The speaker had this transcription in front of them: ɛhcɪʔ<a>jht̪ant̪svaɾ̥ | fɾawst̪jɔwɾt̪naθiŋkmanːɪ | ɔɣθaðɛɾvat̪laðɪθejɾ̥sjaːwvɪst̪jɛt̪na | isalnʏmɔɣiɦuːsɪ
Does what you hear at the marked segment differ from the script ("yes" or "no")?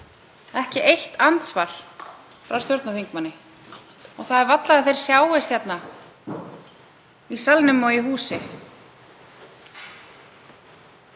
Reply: yes